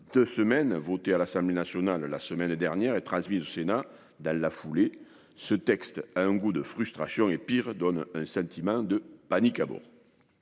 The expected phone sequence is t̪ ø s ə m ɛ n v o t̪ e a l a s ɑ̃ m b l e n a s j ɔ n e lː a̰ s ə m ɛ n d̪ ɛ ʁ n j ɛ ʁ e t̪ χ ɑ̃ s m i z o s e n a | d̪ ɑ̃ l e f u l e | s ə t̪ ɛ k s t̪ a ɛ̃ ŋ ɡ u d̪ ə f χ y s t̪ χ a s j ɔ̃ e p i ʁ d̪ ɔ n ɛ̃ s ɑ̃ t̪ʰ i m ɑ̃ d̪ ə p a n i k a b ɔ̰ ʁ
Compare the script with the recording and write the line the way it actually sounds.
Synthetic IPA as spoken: d̪ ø s ə m ɛ n v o t̪ e a l a s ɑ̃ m b l e n a s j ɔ n a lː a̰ s ə m ɛ n d̪ ɛ ʁ n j ɛ ʁ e t̪ χ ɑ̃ s m i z o s e n a | d̪ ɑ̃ l a f u l e | s ə t̪ ɛ k s t̪ a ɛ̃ ŋ ɡ u d̪ ə f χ y s t̪ χ a s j ɔ̃ e p i ʁ d̪ ɔ n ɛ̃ s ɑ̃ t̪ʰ i m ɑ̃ d̪ ə p a n i k a b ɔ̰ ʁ